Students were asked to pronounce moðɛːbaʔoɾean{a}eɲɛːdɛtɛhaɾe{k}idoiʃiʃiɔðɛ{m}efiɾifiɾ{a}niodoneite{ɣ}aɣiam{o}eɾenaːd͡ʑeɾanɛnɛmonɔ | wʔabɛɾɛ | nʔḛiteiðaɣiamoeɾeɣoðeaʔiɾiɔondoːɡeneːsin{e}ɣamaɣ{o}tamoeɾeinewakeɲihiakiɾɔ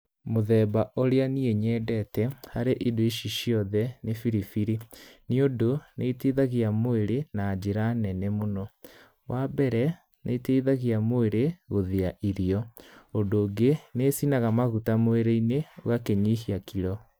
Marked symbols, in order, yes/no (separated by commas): no, no, no, no, no, yes, no, no